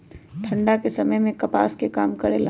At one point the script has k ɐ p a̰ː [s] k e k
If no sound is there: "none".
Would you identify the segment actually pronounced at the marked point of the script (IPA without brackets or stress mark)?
s